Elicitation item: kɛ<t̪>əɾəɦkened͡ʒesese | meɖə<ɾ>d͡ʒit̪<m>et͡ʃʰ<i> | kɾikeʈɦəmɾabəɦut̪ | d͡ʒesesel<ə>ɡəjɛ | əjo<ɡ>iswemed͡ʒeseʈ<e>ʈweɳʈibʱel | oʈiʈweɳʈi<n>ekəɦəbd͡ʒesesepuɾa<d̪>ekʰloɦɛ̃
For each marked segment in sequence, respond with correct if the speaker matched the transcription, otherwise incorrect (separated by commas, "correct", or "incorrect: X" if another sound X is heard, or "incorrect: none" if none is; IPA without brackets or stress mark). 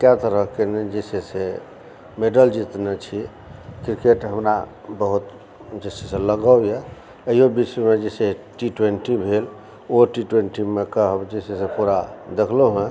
correct, incorrect: l, incorrect: n, correct, correct, incorrect: b, incorrect: i, incorrect: m, correct